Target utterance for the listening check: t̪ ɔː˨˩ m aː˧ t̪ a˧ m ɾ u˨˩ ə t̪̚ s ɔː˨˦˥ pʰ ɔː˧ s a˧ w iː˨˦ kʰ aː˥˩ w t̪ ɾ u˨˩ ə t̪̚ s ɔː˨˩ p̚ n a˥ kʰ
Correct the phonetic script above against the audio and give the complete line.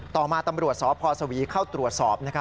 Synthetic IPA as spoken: t̪ ɔː˨˩ m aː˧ t̪ a˧ m ɾ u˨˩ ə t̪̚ s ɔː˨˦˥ pʰ ɔː˧ s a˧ w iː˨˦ kʰ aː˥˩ w t̪ ɾ u˨˩ ə t̪̚ s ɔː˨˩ p̚ n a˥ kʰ